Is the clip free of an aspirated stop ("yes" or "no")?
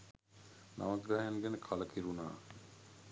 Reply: no